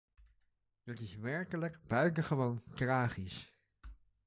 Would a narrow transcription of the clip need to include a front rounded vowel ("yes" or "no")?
yes